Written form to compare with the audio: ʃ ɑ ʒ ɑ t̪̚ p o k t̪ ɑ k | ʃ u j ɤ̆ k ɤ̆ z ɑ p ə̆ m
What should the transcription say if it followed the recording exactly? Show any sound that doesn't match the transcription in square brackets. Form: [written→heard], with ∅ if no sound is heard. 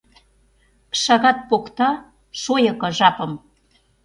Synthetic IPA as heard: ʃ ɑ [ʒ→ɣ] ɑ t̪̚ p o k t̪ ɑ [k→∅] | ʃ [u→o] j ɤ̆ k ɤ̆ [z→ʒ] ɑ p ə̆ m